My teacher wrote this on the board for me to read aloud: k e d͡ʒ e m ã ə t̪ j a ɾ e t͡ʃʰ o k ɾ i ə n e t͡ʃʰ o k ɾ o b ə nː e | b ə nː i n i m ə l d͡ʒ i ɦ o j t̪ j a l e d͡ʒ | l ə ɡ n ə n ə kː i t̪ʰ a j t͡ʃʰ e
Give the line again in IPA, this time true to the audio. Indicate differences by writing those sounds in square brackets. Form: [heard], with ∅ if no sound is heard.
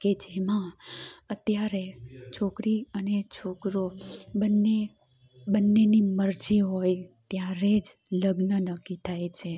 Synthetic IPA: k e d͡ʒ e m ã ə t̪ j a ɾ e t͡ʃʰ o k ɾ i ə n e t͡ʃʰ o k ɾ o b ə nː e | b ə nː [e] n i m ə [ɾ] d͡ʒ i ɦ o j t̪ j a [ɾ] e d͡ʒ | l ə ɡ n ə n ə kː i t̪ʰ a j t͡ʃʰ e

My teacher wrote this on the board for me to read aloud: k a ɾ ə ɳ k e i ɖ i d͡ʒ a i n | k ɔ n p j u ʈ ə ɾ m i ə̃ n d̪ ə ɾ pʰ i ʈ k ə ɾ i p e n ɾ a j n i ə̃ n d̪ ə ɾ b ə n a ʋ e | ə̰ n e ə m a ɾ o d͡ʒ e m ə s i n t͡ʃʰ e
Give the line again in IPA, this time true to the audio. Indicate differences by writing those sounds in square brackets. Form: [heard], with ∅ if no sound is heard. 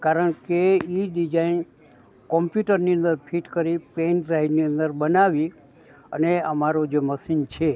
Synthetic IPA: k a ɾ ə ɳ k e i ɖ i d͡ʒ a i n | k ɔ [m] p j u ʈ ə ɾ [n] i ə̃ n d̪ ə ɾ pʰ i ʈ k ə ɾ i p e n ɾ a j n i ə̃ n d̪ ə ɾ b ə n a ʋ [i] | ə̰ n e ə m a ɾ o d͡ʒ e m ə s i n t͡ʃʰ e

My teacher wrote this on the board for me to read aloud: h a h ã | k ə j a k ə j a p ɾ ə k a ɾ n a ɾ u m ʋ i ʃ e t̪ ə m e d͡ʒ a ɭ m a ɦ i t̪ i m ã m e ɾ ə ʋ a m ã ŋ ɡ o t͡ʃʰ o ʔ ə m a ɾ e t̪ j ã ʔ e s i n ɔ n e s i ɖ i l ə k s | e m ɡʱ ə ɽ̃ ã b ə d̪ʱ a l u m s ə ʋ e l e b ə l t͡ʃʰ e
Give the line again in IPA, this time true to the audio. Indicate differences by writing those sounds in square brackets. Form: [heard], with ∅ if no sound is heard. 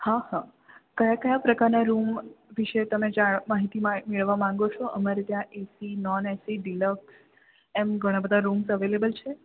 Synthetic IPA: h a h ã | k ə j a k ə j a p ɾ ə k a ɾ n a ɾ u m ʋ i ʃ e t̪ ə m e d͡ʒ a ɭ m a ɦ i t̪ i m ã m e [ɭ] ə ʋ a m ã ŋ ɡ o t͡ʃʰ o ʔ ə m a ɾ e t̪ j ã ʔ e s i n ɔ n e s i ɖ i l ə k s | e m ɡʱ ə ɽ̃ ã b ə d̪ʱ a [ɾ] u m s ə ʋ e l e b ə l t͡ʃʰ e

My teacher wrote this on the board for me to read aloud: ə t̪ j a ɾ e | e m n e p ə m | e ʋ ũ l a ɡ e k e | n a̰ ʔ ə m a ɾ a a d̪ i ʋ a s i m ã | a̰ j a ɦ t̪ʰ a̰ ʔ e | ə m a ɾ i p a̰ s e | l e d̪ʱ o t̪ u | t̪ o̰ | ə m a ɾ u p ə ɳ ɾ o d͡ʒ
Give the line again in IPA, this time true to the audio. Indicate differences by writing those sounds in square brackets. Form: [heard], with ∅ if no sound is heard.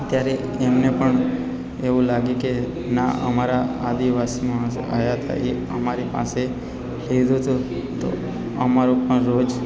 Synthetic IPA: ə t̪ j a ɾ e | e m n e p ə [ɳ] | e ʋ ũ l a ɡ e k e | n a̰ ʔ ə m a ɾ a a d̪ i ʋ a s i m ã | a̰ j a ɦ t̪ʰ a̰ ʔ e | ə m a ɾ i p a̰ s e | l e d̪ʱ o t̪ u | t̪ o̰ | ə m a ɾ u p ə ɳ ɾ o d͡ʒ

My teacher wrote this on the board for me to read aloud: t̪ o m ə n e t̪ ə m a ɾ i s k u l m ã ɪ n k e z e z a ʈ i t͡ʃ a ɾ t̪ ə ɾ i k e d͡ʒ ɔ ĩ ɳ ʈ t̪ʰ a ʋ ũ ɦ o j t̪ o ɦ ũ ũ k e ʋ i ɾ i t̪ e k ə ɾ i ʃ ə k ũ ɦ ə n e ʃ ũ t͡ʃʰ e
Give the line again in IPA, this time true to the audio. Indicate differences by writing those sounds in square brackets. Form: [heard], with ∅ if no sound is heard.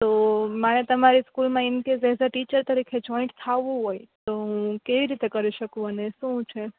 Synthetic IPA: t̪ o m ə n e t̪ ə m a ɾ i s k u l m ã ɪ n k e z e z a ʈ i t͡ʃ [ə] ɾ t̪ ə ɾ i [kʰ] e d͡ʒ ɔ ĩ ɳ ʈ t̪ʰ a ʋ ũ ɦ o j t̪ o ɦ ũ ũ k e ʋ i ɾ i t̪ e k ə ɾ i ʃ ə k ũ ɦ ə n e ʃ ũ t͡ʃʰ e

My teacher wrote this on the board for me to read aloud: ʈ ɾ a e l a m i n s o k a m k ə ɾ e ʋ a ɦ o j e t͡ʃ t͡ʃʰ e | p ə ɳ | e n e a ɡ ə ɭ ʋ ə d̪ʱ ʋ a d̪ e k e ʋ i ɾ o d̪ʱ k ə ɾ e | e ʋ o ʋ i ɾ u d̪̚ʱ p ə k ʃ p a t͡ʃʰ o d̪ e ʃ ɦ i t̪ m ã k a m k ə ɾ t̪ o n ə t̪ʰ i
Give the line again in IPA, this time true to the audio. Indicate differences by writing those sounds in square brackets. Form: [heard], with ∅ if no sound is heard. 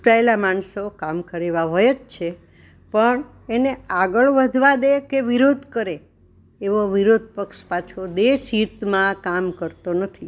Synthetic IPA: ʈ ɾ a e l a m [a] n s o k a m k ə ɾ e ʋ a ɦ o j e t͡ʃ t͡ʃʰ e | p ə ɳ | e n e a ɡ ə ɭ ʋ ə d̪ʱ ʋ a d̪ e k e ʋ i ɾ o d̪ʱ k ə ɾ e | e ʋ o ʋ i ɾ [o] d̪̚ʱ p ə k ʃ p a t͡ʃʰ o d̪ e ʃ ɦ i t̪ m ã k a m k ə ɾ t̪ o n ə t̪ʰ i

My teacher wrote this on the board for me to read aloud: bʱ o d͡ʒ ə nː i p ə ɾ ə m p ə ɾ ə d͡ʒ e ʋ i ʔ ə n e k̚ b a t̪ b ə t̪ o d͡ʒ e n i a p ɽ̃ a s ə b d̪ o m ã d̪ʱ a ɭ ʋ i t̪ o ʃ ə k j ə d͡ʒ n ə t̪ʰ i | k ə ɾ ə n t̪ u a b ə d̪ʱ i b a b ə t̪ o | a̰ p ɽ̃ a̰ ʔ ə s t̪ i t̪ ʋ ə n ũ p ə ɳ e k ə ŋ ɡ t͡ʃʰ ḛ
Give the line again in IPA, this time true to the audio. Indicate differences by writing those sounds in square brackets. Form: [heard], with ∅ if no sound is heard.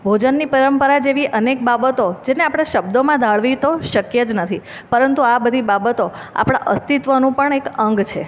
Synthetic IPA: bʱ o d͡ʒ ə nː i p ə ɾ ə m p ə ɾ [a] d͡ʒ e ʋ i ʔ ə n e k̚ b a [∅] b ə t̪ o d͡ʒ e n [e] a p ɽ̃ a [ʃ] ə b d̪ o m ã d̪ʱ a ɭ ʋ i t̪ o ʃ ə k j ə d͡ʒ n ə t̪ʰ i | [p] ə ɾ ə n t̪ u a b ə d̪ʱ i b a b ə t̪ o | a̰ p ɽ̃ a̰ ʔ ə s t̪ i t̪ ʋ ə n ũ p ə ɳ e k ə ŋ ɡ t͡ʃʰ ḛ

